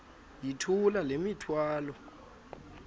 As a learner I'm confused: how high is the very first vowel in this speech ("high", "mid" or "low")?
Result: high